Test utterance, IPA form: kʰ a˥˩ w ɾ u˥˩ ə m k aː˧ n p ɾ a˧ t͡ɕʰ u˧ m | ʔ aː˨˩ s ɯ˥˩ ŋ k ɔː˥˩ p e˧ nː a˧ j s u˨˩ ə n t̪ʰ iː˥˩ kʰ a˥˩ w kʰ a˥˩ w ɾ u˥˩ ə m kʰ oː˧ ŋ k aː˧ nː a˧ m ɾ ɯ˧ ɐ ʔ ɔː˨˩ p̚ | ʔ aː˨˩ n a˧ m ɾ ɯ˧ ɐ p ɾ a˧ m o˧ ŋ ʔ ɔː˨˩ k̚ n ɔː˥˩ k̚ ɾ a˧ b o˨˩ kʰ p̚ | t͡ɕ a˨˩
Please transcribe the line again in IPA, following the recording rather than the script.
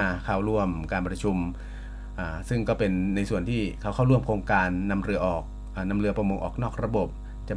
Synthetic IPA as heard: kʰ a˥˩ w ɾ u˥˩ ə m k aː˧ n p ɾ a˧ t͡ɕʰ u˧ m | ʔ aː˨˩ s ɯ˥˩ ŋ k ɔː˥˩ p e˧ nː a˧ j s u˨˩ ə n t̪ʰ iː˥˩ kʰ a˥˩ w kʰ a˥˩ w ɾ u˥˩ ə m kʰ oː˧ ŋ k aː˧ nː a˧ m ɾ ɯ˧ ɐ ʔ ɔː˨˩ k̚ | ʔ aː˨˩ n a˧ m ɾ ɯ˧ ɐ p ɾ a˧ m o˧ ŋ ʔ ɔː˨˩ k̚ n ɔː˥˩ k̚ ɾ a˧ b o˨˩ p̚ | t͡ɕ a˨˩